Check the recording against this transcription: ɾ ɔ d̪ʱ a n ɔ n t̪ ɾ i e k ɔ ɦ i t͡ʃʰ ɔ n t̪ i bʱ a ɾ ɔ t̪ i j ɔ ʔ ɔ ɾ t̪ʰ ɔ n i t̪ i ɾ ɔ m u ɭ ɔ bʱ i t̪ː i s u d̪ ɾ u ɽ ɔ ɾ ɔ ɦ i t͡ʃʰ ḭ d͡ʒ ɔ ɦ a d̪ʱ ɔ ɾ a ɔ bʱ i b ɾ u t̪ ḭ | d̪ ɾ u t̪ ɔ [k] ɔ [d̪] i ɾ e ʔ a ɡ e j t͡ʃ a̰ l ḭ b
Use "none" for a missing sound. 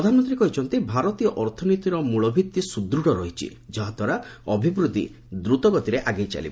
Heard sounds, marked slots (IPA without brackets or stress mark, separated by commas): ɡ, t̪